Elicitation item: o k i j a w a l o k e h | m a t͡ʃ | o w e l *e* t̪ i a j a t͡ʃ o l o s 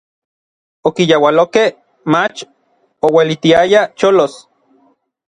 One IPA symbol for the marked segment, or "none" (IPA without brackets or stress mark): i